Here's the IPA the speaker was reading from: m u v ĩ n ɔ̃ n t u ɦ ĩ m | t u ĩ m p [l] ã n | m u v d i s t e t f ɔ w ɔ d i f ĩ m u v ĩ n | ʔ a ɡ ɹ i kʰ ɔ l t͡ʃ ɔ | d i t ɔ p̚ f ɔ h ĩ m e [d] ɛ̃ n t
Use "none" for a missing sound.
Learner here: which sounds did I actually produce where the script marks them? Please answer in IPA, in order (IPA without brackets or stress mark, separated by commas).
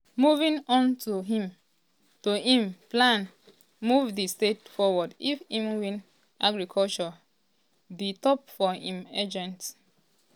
l, d͡ʒ